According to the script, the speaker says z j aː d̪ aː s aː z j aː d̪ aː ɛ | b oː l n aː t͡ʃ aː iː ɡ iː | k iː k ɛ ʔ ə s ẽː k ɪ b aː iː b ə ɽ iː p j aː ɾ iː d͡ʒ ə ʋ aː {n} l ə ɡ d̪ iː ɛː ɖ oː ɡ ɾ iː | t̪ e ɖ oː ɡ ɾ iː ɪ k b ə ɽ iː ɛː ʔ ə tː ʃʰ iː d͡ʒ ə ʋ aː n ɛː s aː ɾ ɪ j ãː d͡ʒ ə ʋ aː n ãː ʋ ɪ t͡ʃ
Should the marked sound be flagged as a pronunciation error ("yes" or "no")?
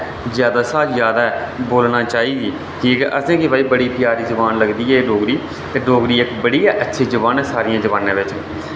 no